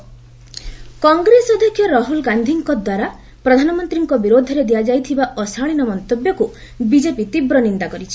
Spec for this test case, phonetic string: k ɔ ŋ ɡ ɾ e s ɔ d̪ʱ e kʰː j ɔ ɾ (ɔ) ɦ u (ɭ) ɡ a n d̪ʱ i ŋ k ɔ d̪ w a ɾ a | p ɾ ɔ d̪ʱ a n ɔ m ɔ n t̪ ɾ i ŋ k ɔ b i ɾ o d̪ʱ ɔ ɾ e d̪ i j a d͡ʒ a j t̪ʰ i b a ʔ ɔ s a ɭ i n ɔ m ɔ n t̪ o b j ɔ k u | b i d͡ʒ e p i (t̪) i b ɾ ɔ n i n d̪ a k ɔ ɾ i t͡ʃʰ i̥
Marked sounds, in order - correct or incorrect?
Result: correct, incorrect: l, correct

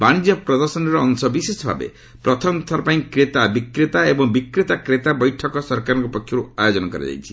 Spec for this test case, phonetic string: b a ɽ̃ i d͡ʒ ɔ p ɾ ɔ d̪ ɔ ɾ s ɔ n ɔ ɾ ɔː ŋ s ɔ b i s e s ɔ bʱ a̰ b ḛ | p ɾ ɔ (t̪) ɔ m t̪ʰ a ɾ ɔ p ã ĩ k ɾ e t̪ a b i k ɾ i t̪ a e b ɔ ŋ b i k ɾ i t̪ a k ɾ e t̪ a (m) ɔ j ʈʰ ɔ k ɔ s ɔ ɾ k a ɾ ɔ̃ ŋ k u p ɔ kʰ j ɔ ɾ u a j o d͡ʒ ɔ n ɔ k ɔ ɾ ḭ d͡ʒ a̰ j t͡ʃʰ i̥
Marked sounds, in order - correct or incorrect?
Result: incorrect: t̪ʰ, incorrect: b

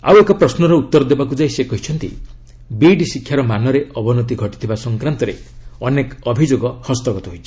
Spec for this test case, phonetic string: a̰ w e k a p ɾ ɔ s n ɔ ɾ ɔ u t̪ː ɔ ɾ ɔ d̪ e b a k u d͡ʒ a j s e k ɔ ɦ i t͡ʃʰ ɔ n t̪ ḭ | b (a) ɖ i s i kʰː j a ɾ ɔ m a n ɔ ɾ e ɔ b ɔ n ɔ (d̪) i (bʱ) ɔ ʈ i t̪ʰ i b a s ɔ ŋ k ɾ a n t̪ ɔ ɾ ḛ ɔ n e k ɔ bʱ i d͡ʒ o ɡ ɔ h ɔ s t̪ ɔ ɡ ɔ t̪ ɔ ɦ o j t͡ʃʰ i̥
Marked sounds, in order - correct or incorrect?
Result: incorrect: i, incorrect: t̪, incorrect: ɡʱ

